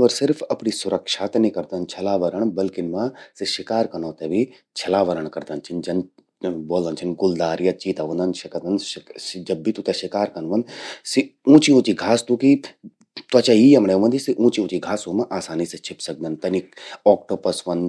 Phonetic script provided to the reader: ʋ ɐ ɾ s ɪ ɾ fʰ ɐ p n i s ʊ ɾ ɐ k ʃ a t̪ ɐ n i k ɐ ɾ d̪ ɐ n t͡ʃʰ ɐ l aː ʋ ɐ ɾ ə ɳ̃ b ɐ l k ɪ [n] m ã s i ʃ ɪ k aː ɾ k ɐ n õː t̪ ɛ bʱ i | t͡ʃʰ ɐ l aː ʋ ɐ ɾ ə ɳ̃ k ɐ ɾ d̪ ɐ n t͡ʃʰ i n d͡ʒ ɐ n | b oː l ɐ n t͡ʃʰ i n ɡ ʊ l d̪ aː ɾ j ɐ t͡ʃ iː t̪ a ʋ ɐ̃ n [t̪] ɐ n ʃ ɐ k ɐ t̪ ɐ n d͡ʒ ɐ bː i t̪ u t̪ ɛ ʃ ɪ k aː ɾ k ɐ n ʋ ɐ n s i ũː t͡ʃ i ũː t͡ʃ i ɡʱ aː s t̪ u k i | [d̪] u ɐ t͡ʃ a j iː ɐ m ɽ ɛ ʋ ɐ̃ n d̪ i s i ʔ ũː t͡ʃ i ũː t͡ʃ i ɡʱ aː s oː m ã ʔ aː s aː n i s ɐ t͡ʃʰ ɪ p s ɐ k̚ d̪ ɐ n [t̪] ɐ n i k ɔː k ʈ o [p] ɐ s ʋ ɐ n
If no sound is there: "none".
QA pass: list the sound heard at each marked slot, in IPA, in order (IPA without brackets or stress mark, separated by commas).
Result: n, d̪, t̪, t̪, p